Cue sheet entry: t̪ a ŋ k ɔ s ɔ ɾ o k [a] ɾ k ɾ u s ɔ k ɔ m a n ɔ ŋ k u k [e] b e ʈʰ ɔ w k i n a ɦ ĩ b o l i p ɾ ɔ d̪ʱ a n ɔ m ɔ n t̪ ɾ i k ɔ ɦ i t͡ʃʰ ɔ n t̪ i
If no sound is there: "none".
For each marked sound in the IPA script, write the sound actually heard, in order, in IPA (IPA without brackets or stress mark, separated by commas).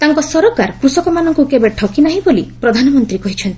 a, e